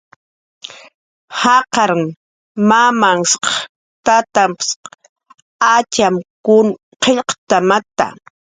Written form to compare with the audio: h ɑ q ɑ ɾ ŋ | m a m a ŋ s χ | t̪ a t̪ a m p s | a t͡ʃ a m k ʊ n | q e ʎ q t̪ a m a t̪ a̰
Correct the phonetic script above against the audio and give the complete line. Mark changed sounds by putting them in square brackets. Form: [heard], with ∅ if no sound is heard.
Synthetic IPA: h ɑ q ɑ ɾ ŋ | m a m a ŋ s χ | t̪ a t̪ a m p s | a t͡ʃ a m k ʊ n | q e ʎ q t̪ a m a t̪ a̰